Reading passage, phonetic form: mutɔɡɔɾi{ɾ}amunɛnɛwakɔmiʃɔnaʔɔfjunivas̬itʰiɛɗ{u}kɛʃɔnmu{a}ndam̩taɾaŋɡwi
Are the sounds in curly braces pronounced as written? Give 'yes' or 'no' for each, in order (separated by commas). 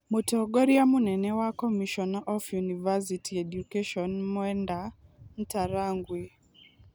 no, yes, no